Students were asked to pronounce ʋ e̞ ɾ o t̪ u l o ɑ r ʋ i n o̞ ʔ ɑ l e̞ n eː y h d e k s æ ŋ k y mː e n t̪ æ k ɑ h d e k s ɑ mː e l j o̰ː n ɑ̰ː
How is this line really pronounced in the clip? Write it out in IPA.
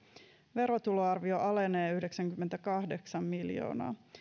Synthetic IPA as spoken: ʋ e̞ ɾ o t̪ u l o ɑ r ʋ i o̞ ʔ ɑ l e̞ n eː y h d e k s æ ŋ k y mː e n t̪ æ k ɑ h d e k s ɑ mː i l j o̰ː n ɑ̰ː